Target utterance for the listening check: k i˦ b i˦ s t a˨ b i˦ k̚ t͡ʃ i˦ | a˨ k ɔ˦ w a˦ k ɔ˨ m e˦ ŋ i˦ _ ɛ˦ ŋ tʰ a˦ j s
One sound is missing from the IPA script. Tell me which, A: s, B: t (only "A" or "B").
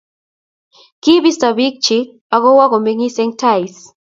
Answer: A